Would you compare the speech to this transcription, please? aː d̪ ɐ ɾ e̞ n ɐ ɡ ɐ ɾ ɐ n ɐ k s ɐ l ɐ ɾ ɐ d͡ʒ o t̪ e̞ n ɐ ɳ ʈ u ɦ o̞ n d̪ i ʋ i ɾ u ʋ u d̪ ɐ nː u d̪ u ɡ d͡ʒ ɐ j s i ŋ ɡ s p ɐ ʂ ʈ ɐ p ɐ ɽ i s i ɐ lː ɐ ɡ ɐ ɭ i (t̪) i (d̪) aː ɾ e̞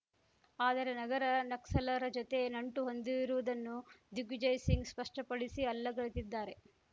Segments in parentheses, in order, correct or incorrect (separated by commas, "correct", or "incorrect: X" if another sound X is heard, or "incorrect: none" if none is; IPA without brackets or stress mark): correct, incorrect: d̪ː